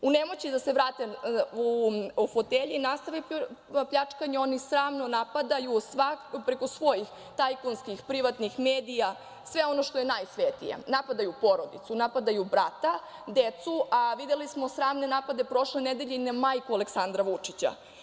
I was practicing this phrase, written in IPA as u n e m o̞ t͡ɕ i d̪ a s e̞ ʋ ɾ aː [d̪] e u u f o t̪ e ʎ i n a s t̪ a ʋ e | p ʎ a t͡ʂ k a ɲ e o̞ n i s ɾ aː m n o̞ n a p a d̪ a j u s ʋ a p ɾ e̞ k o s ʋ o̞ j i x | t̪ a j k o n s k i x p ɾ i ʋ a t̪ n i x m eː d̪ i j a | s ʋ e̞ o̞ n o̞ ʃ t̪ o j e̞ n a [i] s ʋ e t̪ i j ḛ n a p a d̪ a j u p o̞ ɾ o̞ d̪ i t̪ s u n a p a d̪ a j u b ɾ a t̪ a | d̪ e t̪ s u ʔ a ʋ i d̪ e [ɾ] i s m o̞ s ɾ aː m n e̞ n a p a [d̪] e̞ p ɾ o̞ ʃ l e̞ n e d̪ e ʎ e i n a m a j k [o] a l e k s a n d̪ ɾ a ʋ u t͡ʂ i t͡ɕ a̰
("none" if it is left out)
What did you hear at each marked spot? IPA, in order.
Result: t̪, j, l, d̪, u

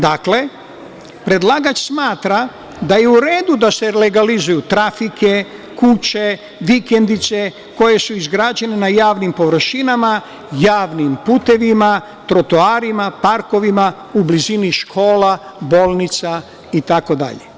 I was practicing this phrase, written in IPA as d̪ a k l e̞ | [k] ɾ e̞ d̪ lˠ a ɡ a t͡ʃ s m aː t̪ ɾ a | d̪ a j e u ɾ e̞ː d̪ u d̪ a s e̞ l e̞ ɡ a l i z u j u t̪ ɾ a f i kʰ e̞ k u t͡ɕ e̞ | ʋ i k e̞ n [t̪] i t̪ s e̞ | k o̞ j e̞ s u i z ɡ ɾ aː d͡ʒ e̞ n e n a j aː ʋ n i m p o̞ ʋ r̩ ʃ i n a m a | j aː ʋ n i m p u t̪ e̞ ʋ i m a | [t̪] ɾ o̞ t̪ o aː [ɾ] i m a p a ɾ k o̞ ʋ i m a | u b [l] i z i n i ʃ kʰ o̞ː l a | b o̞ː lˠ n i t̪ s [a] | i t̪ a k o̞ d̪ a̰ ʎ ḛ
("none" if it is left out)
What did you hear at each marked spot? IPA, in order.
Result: p, d̪, t̪, ɾ, l, a

